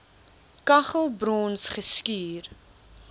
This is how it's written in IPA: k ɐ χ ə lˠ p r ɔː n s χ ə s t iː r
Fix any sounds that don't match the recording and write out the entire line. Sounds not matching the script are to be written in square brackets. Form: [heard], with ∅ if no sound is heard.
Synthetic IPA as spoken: k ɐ χ ə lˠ [b] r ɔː n s χ ə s [k] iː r